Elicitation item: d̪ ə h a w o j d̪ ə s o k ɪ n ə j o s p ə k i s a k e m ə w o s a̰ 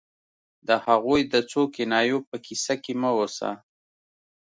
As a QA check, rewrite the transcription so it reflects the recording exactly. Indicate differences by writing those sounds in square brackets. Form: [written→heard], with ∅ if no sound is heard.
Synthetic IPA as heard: d̪ ə h a [w→ɣ] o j d̪ ə [s→t͡s] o k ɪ n [ə→ɑ] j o [s→∅] p ə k i s a k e m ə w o s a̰